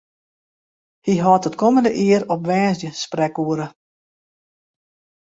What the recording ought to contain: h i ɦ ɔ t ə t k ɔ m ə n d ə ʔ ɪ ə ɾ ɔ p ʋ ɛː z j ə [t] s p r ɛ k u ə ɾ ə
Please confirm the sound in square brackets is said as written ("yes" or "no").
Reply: no